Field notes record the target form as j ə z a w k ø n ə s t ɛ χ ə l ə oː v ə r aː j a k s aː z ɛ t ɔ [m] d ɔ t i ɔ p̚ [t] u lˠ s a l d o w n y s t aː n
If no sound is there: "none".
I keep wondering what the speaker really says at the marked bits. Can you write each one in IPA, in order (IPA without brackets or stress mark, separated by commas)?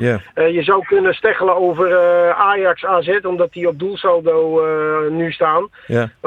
m, d